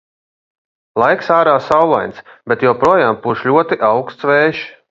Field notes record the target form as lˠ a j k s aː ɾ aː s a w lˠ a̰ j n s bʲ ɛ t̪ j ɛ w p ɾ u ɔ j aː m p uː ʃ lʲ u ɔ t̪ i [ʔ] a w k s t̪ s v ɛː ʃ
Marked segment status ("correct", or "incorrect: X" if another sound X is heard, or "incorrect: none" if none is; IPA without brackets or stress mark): correct